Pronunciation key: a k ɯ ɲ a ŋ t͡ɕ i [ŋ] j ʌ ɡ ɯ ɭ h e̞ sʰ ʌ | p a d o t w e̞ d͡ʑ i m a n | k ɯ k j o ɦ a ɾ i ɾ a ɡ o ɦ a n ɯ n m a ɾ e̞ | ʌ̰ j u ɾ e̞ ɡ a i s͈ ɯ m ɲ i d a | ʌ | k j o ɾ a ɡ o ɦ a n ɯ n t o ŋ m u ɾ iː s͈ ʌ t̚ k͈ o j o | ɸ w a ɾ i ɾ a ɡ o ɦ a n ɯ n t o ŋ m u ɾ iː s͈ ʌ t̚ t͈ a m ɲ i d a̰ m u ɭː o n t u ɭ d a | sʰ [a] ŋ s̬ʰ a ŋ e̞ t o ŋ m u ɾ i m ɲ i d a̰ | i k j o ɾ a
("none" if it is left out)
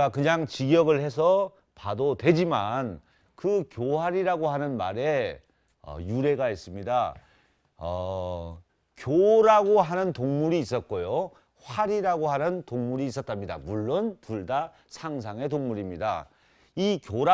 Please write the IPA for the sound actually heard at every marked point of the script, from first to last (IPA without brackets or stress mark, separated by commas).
ɡ, a